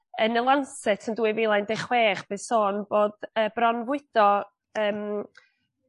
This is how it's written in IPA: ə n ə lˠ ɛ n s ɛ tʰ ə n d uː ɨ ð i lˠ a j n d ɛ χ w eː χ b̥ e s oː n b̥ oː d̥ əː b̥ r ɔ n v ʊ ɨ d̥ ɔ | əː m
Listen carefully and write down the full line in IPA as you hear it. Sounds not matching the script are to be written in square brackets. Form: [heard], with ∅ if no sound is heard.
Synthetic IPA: ə n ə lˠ [a] n s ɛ tʰ ə n d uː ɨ [v] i lˠ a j n d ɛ χ w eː χ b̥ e s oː n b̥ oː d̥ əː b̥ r ɔ n v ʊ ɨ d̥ ɔ | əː m